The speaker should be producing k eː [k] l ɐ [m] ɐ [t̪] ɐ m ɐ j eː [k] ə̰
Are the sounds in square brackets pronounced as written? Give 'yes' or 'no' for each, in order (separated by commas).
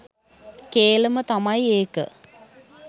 no, yes, yes, yes